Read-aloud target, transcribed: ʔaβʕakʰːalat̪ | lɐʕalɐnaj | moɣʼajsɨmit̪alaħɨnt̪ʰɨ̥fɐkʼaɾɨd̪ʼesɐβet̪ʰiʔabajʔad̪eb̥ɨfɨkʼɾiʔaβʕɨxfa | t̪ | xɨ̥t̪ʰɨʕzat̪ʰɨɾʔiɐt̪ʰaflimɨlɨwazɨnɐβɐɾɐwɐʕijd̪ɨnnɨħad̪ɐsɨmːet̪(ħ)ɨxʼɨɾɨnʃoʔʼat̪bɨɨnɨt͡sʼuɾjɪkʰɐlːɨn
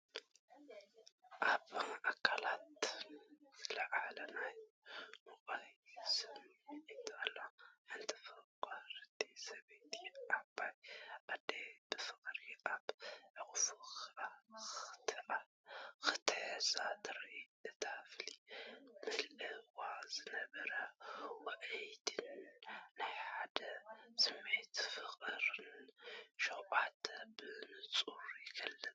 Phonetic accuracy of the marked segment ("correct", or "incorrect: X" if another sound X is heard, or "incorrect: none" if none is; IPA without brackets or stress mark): incorrect: f